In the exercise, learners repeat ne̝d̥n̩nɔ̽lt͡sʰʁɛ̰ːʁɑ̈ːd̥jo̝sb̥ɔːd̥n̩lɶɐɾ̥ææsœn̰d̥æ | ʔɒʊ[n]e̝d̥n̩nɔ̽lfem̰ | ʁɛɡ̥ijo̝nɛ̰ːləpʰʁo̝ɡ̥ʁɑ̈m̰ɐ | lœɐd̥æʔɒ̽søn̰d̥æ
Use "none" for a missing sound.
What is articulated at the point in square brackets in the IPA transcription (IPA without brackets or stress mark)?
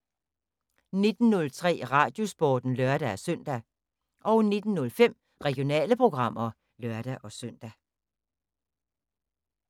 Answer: n